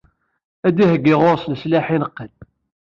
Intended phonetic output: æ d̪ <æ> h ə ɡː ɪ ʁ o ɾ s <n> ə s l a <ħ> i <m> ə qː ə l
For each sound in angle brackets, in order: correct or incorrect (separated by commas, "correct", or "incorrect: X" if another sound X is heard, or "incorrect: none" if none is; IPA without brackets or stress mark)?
incorrect: i, correct, correct, incorrect: n